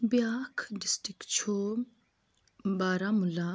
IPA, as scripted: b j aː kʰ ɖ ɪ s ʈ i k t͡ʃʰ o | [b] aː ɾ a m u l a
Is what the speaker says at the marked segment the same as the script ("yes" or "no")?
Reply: yes